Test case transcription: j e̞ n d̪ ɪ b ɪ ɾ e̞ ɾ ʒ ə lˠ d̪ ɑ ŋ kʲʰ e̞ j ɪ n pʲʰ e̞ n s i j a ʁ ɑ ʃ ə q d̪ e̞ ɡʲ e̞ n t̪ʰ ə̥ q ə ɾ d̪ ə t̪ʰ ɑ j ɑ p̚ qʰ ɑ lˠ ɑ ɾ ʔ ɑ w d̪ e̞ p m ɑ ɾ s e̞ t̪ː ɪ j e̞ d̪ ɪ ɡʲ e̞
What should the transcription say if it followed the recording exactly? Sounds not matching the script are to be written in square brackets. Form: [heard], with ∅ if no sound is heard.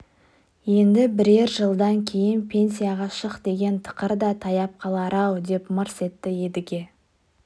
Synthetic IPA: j e̞ n d̪ ɪ b ɪ ɾ e̞ ɾ ʒ ə lˠ d̪ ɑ ŋ kʲʰ e̞ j ɪ n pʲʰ e̞ n s i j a ʁ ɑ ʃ ə q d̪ e̞ ɡʲ e̞ n t̪ʰ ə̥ q ə ɾ d̪ [ɑ] t̪ʰ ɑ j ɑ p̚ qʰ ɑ lˠ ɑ ɾ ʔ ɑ w d̪ e̞ p m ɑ ɾ s e̞ t̪ː ɪ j e̞ d̪ ɪ ɡʲ e̞